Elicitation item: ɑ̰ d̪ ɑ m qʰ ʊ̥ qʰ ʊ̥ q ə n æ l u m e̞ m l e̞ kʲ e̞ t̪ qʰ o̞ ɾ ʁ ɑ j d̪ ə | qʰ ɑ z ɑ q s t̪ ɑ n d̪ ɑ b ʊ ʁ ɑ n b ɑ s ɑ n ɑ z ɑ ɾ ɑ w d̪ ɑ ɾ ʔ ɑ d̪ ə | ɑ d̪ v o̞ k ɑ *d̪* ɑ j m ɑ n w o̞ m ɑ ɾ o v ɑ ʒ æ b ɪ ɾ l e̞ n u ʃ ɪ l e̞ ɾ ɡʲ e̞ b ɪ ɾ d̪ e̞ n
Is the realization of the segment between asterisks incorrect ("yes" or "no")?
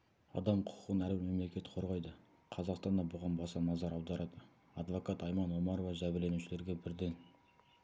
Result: yes